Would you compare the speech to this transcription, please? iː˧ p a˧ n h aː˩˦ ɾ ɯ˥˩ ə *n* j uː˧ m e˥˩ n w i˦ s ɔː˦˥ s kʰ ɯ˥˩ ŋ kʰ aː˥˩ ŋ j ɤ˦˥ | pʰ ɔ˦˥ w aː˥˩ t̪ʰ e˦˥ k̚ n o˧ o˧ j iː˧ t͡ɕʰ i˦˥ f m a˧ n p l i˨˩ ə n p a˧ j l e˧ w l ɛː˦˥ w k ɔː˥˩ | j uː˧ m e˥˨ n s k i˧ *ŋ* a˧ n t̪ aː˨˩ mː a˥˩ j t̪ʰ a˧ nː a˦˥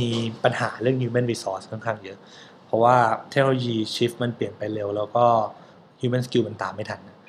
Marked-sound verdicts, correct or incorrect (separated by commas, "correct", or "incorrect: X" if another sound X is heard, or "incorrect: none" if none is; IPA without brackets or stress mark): incorrect: ŋ, incorrect: m